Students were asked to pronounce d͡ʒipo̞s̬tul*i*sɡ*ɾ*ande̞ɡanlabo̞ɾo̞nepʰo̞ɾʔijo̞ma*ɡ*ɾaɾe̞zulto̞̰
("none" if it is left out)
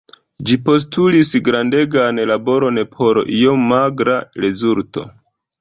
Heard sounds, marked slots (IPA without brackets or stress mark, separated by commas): i, ɾ, ɡ